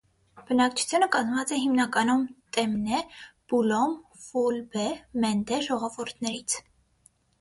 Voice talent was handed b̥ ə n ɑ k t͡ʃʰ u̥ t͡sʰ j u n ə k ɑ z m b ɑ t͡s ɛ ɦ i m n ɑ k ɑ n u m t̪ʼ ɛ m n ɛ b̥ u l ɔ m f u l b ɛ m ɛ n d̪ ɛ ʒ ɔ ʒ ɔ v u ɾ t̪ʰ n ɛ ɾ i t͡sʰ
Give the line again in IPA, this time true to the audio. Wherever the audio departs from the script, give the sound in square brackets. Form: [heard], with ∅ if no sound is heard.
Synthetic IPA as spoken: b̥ ə n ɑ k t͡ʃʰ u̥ t͡sʰ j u n ə k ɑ z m [v] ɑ t͡s ɛ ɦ i m n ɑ k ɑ n u m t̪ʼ ɛ m n ɛ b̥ u l ɔ m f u l b ɛ m ɛ n d̪ ɛ ʒ ɔ [ʁ] ɔ v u ɾ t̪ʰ n ɛ ɾ i t͡sʰ